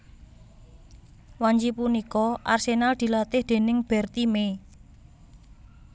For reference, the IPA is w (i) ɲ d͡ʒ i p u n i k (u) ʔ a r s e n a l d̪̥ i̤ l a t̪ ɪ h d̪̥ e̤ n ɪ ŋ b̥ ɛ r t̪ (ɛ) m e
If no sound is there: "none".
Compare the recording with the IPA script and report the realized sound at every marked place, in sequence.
a, ɔ, i

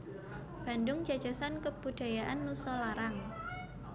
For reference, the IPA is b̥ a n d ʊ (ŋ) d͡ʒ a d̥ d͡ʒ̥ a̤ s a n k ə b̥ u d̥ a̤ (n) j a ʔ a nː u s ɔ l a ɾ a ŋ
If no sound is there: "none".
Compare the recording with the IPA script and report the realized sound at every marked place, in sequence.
ŋ, none

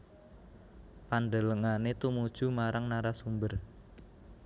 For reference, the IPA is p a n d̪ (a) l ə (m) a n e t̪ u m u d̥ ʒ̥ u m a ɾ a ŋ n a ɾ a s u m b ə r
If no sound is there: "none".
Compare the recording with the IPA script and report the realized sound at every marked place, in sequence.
ə, ŋ

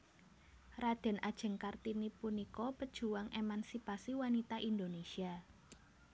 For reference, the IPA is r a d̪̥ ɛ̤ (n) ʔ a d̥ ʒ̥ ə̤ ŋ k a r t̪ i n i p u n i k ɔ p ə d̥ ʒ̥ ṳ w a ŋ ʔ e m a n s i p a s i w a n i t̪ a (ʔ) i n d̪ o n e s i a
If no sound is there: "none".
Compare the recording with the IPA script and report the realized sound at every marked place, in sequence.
n, ʔ

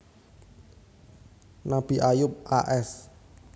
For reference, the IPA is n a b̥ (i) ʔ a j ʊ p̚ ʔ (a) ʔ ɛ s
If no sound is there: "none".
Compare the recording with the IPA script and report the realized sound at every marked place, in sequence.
i, a

